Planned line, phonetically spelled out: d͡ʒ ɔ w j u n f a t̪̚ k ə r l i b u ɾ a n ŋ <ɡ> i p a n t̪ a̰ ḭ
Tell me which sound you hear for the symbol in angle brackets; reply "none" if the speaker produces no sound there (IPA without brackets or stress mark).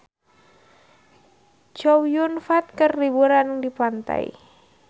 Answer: d